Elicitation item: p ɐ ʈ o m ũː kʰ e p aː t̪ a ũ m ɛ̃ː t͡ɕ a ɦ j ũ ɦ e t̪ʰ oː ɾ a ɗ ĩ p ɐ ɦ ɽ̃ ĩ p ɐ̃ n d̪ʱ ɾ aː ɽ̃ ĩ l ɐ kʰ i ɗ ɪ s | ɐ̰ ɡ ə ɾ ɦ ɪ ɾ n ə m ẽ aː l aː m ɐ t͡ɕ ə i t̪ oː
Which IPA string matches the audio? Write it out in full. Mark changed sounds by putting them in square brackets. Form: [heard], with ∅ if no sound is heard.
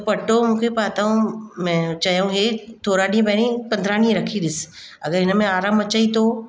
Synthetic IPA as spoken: p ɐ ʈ o m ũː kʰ e p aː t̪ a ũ m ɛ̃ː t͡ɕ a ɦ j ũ ɦ e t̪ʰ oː ɾ a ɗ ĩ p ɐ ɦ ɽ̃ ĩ p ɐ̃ n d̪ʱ ɾ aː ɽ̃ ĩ [ɾ] ɐ kʰ i ɗ ɪ s | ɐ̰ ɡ ə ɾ ɦ ɪ [∅] n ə m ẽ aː [ɾ] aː m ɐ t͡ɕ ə i t̪ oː